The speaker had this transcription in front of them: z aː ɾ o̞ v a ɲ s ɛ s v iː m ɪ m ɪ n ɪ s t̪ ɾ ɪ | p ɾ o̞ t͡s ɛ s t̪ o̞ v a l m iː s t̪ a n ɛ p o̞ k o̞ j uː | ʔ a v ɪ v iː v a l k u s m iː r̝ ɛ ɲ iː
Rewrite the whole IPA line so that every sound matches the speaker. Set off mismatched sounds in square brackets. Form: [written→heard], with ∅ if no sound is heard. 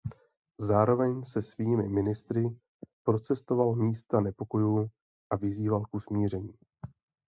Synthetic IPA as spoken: z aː ɾ o̞ v [a→ɛ] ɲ s ɛ s v iː m ɪ m ɪ n ɪ s t̪ ɾ ɪ | p ɾ o̞ t͡s ɛ s t̪ o̞ v a l m iː s t̪ a n ɛ p o̞ k o̞ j uː | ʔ a v ɪ [v→z] iː v a l k u s m iː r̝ ɛ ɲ iː

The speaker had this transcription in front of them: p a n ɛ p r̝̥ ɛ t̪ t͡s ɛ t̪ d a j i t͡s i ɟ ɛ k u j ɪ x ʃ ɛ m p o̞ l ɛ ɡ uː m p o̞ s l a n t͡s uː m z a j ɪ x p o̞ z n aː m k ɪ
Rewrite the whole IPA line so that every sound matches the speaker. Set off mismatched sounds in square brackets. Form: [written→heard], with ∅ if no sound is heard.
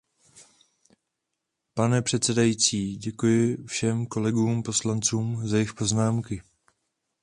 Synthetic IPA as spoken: p a n ɛ p r̝̥ ɛ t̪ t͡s ɛ [t̪→∅] d a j i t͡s [i→iː] ɟ ɛ k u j ɪ [x→f] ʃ ɛ m [p→k] o̞ l ɛ ɡ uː m p o̞ s l a n t͡s uː m z a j ɪ x p o̞ z n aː m k ɪ

